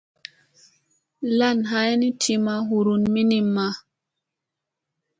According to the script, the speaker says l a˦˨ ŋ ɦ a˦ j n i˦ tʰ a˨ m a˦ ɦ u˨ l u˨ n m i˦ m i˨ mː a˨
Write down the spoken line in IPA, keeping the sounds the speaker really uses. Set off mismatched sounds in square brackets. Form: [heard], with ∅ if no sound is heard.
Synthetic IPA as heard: l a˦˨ [n] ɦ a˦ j n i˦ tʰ [i˨] m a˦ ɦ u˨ [ɾ] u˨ n m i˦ [n] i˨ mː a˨